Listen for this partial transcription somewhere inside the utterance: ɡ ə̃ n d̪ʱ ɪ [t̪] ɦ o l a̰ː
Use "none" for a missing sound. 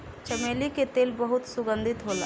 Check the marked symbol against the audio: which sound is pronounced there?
t̪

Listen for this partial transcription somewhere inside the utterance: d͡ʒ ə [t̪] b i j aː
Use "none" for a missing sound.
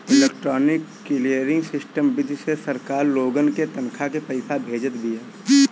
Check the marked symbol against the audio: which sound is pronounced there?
t̪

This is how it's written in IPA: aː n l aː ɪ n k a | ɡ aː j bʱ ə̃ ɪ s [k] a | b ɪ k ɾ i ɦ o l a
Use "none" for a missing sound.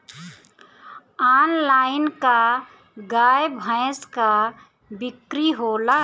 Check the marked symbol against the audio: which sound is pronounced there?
k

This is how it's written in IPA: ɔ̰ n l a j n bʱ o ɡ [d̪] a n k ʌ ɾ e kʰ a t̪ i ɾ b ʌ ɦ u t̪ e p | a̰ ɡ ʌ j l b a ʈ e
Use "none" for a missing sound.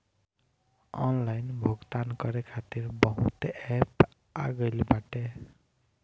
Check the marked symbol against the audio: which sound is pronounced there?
t̪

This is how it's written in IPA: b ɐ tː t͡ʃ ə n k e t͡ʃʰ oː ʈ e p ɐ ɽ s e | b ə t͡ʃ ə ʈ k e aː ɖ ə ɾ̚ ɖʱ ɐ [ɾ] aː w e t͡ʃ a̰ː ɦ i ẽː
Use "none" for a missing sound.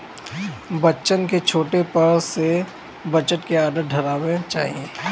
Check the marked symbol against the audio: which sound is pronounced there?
ɾ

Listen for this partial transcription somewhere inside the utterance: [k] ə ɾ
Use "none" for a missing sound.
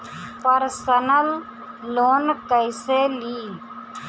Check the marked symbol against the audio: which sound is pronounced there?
p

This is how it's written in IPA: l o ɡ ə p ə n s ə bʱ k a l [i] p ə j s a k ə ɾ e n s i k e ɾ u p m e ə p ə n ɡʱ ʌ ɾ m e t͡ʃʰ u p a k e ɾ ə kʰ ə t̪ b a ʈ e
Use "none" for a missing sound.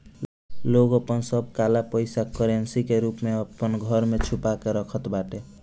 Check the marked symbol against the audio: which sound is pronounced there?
a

